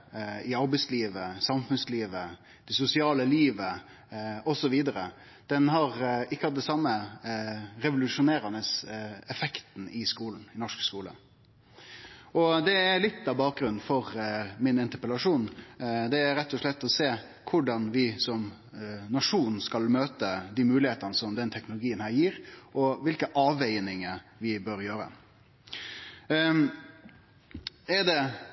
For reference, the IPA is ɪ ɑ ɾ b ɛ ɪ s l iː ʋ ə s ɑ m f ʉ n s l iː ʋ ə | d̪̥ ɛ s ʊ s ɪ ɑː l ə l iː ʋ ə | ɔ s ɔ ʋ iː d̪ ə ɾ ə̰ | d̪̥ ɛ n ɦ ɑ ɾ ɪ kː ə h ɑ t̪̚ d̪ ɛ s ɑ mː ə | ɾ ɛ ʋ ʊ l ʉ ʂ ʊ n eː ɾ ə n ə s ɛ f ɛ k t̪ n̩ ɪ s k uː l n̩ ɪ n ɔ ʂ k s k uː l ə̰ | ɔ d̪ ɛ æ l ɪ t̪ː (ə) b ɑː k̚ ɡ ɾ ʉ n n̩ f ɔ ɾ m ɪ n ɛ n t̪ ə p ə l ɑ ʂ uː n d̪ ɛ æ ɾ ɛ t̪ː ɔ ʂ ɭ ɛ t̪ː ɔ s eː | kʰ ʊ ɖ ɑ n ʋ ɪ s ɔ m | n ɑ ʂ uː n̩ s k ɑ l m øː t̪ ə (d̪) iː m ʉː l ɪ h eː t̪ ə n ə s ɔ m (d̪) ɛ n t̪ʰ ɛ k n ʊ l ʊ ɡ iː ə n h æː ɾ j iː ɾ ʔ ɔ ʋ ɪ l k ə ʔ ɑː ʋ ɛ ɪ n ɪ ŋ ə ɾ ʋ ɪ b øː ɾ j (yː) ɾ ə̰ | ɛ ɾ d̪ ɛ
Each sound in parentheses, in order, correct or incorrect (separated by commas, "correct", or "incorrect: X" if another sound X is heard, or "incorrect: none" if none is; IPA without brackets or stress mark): incorrect: ɑ, correct, correct, incorrect: øː